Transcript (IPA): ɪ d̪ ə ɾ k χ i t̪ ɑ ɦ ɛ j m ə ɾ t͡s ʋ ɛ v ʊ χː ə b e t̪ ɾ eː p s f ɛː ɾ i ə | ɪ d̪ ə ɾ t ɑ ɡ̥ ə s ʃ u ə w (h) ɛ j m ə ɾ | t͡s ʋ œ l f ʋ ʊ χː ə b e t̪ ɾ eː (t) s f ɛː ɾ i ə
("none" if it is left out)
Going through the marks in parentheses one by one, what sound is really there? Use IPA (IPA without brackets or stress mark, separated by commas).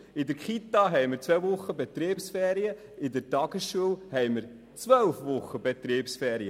h, p